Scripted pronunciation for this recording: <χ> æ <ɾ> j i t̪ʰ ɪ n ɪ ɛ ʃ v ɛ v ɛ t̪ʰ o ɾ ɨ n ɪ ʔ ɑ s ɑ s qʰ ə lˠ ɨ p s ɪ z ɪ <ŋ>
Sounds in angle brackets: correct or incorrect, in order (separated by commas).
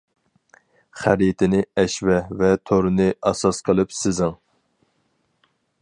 correct, correct, correct